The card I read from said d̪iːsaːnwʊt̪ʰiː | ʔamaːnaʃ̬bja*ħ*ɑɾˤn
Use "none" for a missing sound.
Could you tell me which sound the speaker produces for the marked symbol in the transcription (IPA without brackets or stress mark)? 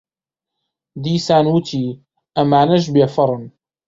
f